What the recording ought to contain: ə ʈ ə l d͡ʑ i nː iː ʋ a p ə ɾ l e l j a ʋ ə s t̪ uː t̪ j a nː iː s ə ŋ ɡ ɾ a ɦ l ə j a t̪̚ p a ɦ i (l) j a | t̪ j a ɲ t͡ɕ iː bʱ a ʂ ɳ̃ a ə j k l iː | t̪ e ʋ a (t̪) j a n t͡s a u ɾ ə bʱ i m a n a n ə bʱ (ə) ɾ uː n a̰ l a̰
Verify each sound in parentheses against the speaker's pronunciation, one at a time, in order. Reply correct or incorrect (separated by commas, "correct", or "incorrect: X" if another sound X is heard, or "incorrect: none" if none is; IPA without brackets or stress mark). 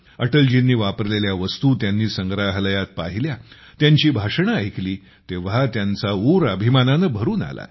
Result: correct, correct, correct